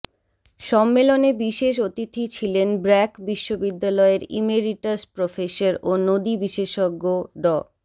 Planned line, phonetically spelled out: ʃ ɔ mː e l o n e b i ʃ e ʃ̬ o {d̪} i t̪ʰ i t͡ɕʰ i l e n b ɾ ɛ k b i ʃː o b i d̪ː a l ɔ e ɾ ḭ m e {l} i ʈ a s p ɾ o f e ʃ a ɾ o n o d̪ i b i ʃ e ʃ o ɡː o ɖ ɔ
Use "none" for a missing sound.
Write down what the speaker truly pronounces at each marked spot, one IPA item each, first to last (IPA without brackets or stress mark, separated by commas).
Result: t̪, ɾ